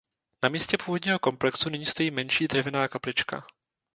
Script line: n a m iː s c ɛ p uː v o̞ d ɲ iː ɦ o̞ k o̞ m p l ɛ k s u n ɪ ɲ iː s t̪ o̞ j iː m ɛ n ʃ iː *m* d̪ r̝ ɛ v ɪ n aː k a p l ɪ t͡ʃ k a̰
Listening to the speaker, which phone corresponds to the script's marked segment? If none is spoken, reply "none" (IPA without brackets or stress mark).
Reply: none